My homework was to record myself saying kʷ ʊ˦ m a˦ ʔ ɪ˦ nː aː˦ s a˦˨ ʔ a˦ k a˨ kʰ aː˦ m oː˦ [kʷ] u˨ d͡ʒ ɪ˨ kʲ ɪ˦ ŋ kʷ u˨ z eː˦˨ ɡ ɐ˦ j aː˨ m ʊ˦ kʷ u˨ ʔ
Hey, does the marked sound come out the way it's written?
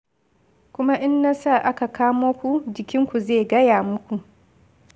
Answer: yes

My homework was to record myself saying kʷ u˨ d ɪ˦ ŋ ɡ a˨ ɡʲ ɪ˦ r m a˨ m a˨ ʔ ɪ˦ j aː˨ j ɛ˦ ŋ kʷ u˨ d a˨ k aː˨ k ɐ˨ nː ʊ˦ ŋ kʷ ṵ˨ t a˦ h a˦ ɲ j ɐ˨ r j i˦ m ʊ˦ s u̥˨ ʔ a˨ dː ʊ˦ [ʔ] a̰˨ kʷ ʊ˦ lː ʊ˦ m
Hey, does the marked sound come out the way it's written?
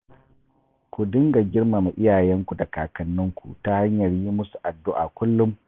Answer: yes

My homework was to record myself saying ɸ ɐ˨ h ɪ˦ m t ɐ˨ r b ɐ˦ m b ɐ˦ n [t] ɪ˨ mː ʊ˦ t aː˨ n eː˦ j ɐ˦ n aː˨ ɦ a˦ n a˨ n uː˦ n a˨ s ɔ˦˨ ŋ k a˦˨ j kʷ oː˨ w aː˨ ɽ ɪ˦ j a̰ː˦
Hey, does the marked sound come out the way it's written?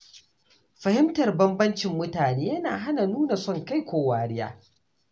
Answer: no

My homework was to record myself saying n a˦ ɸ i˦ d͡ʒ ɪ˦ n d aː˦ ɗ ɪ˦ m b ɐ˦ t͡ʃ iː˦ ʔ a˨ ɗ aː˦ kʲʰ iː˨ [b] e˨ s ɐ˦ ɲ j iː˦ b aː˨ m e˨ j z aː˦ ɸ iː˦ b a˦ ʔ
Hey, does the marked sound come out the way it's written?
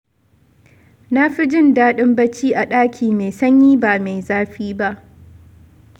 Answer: no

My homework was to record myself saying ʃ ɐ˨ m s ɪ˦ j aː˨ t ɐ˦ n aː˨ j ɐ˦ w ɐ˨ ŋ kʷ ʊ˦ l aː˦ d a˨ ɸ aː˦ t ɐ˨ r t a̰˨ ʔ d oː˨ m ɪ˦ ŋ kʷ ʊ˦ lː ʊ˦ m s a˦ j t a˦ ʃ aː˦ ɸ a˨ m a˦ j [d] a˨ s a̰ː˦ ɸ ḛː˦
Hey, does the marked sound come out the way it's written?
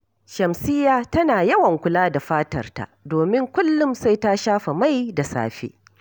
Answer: yes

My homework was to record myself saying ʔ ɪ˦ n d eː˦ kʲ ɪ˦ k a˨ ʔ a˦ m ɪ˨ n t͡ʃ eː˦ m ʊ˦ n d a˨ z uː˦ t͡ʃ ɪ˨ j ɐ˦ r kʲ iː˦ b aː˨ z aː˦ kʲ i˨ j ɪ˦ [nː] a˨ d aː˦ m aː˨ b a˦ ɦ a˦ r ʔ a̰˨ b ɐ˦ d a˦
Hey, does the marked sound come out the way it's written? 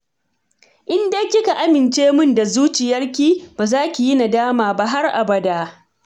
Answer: no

